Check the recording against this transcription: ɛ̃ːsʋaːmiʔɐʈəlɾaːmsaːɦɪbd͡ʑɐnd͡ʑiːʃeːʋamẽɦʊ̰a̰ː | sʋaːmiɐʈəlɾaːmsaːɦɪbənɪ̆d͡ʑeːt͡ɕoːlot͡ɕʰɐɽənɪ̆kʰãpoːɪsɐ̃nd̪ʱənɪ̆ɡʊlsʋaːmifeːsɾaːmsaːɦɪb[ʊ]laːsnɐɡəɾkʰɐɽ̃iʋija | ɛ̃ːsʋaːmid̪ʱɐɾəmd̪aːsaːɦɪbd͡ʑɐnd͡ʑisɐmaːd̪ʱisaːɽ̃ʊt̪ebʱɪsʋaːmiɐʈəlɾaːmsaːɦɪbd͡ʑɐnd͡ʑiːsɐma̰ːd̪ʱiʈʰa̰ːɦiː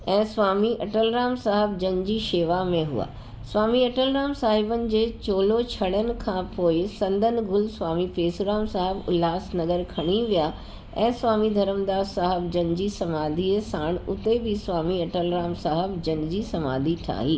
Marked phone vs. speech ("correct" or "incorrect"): correct